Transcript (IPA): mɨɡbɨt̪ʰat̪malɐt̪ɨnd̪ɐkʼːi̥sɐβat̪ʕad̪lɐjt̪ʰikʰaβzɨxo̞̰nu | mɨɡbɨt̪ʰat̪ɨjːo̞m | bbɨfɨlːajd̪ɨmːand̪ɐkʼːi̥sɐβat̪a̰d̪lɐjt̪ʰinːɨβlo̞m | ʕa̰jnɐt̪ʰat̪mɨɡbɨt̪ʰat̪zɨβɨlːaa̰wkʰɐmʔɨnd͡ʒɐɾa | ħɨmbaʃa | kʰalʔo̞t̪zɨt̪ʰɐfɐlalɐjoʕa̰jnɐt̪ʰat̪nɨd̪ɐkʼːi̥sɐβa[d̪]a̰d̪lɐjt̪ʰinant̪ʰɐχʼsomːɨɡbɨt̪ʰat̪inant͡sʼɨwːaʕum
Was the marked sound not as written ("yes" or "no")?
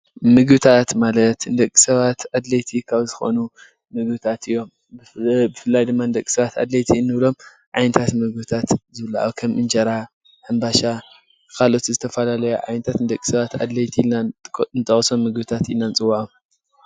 yes